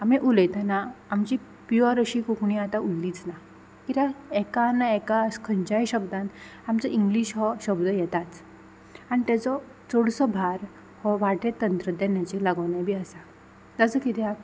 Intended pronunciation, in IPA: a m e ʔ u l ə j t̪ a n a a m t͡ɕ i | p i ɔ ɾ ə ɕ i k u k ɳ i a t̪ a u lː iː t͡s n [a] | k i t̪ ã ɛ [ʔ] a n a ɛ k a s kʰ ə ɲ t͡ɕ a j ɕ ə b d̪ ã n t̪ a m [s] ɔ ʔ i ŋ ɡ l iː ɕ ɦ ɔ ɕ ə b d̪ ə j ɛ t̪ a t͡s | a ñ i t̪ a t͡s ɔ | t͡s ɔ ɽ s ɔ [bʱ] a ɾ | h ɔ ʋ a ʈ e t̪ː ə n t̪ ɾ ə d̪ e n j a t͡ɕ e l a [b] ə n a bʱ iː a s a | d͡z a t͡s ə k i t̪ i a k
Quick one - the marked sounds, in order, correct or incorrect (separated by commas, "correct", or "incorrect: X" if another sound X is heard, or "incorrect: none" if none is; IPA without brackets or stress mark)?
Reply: correct, incorrect: k, incorrect: t͡s, correct, incorrect: ɡ